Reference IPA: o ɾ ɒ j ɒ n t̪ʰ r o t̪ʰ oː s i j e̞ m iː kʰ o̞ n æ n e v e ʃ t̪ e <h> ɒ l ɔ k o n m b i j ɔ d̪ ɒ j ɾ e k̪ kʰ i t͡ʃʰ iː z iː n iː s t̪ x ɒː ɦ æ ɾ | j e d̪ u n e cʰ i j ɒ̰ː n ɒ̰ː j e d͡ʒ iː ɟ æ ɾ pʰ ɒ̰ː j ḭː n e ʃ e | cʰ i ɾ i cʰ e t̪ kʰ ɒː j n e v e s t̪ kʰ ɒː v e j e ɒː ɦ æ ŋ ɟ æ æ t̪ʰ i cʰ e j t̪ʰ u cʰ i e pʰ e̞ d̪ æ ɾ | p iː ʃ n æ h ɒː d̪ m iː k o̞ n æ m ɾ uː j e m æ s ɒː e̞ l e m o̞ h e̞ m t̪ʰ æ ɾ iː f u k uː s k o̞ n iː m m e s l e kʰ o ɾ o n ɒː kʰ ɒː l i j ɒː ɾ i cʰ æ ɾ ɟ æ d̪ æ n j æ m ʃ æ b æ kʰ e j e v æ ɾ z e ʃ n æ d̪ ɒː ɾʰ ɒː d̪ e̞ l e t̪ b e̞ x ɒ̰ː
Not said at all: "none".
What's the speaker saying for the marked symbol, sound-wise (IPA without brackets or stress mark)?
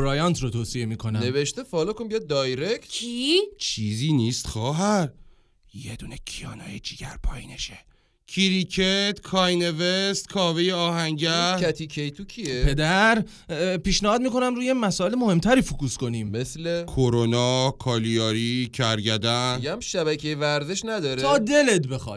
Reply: f